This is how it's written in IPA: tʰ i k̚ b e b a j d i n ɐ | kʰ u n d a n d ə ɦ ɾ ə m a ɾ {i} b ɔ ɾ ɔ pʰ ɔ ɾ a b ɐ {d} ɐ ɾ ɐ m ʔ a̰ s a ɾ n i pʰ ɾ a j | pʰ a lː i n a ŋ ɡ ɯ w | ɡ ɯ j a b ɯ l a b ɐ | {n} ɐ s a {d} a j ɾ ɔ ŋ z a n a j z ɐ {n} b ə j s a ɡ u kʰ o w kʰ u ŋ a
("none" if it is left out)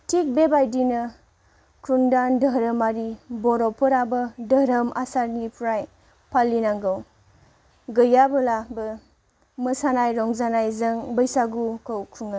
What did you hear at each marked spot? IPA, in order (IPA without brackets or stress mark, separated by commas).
i, d, m, n, ŋ